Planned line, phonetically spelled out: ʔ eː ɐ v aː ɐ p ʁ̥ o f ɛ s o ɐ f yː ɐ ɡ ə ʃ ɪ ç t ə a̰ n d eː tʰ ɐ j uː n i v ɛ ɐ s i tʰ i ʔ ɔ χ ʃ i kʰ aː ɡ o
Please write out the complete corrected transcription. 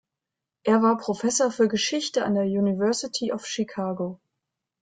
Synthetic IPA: ʔ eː ɐ v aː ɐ p ʁ̥ o f ɛ s o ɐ f yː ɐ ɡ ə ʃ ɪ ç t ə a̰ n d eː ɐ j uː n i v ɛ ɐ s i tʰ i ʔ ɔ f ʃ i kʰ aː ɡ o